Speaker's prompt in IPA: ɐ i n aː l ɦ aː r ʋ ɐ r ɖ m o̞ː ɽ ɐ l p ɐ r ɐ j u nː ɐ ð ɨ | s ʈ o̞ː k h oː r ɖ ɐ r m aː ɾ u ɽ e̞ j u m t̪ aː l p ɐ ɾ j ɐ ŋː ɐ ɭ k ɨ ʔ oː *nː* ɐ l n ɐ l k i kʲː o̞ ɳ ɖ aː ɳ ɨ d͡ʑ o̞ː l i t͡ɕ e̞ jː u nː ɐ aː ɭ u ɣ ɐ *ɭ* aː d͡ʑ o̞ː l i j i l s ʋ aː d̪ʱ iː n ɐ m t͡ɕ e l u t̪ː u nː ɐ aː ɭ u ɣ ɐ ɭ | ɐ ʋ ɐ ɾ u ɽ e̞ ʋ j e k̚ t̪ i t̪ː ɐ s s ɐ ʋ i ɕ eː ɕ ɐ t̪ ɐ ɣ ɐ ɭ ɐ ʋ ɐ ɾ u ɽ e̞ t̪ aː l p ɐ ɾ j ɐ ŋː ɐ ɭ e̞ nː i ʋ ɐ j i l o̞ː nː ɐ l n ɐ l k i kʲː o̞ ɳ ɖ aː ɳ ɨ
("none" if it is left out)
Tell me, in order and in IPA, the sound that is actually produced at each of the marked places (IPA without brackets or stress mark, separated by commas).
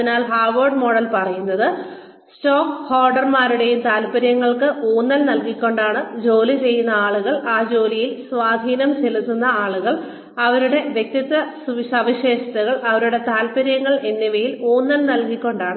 nː, ɭ